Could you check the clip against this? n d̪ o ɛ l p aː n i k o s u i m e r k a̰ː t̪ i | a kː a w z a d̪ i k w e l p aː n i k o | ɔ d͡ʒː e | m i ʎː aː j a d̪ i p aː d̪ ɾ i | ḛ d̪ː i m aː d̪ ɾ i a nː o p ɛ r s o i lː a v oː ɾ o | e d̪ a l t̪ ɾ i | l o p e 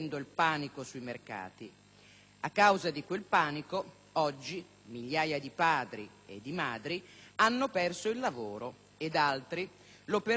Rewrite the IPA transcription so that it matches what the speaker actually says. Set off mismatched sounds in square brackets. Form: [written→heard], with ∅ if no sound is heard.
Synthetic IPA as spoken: n d̪ o [ɛ→i] l p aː n i k o s u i m e r k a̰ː t̪ i | a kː a w z a d̪ i k w e l p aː n i k o | ɔ d͡ʒː [e→i] | m i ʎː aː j a d̪ i p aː d̪ ɾ i | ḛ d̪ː i m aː d̪ ɾ i a nː o p ɛ r s o i lː a v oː ɾ o | e d̪ a l t̪ ɾ i | l o p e

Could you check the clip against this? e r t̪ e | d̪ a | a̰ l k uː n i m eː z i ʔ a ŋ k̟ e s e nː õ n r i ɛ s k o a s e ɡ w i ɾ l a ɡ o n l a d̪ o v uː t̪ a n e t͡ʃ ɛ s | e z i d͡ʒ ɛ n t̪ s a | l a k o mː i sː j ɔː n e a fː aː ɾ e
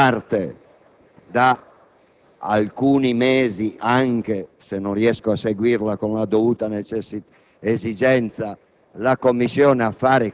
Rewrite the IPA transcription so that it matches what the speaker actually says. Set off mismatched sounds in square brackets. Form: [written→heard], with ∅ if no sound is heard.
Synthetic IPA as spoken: [e→a] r t̪ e | d̪ a | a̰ l k uː n i m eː z i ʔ a ŋ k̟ e s e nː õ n r i ɛ s k o a s e ɡ w i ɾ l a [ɡ→k] o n l a d̪ o v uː t̪ a n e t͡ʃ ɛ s | e z i d͡ʒ ɛ n t̪ s a | l a k o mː i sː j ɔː n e a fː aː ɾ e

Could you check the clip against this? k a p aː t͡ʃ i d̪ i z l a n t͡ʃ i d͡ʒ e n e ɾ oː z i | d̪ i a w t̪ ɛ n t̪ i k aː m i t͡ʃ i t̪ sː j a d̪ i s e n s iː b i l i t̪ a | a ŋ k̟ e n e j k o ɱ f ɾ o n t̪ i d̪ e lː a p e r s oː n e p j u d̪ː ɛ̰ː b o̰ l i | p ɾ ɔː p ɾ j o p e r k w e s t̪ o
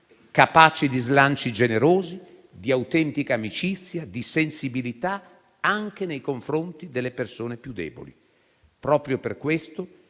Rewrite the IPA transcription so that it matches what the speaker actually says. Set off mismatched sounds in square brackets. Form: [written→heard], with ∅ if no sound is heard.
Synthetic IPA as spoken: k a p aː t͡ʃ i d̪ i z l a n t͡ʃ i d͡ʒ e n e ɾ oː z i | d̪ i a w t̪ ɛ n t̪ i k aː m i t͡ʃ i t̪ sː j a d̪ i s e n s [iː→i] b i l i t̪ a | a ŋ k̟ e n e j k o ɱ f ɾ o n t̪ i d̪ e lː [a→e] p e r s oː n e p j u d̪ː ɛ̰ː b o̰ l i | p ɾ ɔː p ɾ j o p e r k w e s t̪ o

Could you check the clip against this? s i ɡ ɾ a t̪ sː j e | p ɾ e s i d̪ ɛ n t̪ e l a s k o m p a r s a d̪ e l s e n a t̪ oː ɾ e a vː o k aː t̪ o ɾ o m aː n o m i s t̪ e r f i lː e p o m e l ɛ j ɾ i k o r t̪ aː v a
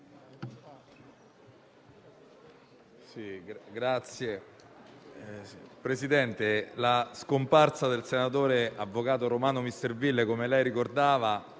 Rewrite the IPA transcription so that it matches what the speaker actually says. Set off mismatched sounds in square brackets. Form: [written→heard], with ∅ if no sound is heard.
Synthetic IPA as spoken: s i ɡ ɾ a t̪ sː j e | p ɾ e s i d̪ ɛ n t̪ e l a s k o m p a r s a d̪ e l s e n a t̪ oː ɾ e a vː o k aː t̪ o ɾ o m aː n o m i s t̪ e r [f→v] i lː e [p→k] o m e l ɛ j ɾ i k o r [t̪→d̪] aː v a

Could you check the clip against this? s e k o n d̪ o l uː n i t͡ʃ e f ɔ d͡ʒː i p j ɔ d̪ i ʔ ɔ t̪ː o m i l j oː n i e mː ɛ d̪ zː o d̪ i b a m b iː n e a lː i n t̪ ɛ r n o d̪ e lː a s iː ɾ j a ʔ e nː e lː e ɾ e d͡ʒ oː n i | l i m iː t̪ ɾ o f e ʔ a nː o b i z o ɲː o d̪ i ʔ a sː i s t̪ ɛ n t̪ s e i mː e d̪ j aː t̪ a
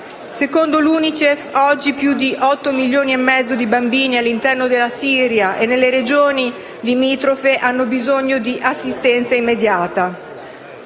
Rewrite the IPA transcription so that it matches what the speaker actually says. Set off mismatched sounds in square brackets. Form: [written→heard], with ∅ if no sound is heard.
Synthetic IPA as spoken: s e k o n d̪ o l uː n i t͡ʃ e f ɔ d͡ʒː i p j [ɔ→u] d̪ i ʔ ɔ t̪ː o m i l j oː n i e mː ɛ d̪ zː o d̪ i b a m b iː n [e→i] a lː i n t̪ ɛ r n o d̪ e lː a s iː ɾ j a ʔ e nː e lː e ɾ e d͡ʒ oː n i | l i m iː t̪ ɾ o f e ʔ a nː o b i z o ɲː o d̪ i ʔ a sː i s t̪ ɛ n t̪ s [e→a] i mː e d̪ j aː t̪ a

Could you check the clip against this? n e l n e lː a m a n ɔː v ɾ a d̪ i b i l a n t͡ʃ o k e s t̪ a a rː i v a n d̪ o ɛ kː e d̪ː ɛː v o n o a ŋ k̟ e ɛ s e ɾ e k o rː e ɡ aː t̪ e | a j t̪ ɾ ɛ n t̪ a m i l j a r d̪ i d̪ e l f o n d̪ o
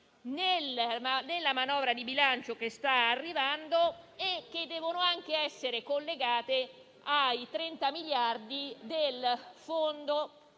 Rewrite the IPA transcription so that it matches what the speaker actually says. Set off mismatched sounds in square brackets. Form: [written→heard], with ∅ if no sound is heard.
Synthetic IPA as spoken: n e l n e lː a m a n ɔː v ɾ a d̪ i b i l a n t͡ʃ o k e s t̪ a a rː i v a n d̪ o [ɛ→e] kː e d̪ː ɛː v o n o a ŋ k̟ e ɛ [s→sː] e ɾ e k o [rː→lː] e ɡ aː t̪ e | a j t̪ ɾ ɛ n t̪ a m i l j a r d̪ i d̪ e l f o n d̪ o

